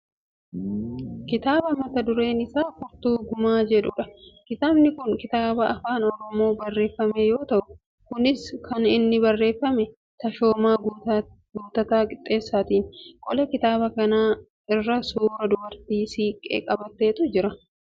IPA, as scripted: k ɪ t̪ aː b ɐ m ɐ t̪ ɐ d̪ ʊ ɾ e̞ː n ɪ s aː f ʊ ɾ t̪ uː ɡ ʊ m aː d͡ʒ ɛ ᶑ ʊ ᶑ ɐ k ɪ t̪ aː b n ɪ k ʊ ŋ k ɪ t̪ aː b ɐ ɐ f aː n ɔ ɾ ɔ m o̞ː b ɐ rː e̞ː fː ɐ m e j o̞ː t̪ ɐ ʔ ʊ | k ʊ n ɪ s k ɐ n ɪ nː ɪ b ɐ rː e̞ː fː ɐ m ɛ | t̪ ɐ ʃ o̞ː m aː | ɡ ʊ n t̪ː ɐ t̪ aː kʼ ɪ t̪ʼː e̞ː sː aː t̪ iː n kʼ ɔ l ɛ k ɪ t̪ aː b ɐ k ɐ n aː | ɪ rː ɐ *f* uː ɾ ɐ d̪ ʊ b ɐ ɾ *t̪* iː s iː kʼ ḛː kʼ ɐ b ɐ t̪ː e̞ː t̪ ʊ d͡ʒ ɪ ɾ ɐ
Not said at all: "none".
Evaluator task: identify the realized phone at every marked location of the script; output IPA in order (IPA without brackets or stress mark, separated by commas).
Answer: s, t̪